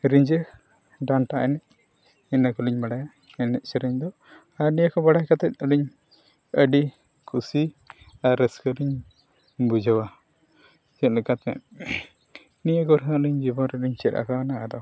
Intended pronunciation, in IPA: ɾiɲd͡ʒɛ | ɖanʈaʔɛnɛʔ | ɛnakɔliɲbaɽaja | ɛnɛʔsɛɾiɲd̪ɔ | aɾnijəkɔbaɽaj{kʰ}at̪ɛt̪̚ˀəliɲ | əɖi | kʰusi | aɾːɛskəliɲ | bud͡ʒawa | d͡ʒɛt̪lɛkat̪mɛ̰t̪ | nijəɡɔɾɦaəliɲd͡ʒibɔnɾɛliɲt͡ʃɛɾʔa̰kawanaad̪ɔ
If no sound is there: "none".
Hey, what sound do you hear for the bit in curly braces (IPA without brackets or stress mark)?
k